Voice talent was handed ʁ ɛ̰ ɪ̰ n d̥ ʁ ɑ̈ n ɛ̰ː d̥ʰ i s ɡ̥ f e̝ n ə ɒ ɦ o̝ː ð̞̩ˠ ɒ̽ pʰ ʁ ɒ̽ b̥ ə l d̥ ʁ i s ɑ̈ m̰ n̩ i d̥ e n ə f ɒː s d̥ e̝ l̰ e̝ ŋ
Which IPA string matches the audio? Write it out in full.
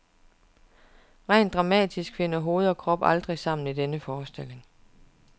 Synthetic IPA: ʁ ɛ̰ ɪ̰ n d̥ ʁ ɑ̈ m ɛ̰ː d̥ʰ i s ɡ̥ f e̝ n ə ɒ ɦ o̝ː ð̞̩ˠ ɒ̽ kʰ ʁ ɒ̽ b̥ ɑ l d̥ ʁ i s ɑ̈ m̰ n̩ i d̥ e n ə f ɒː s d̥ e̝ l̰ e̝ ŋ